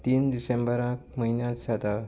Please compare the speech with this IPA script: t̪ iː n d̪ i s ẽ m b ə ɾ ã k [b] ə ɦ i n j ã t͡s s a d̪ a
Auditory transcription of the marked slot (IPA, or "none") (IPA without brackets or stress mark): m